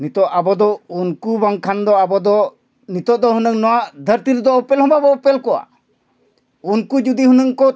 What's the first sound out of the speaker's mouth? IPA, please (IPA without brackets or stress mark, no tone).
n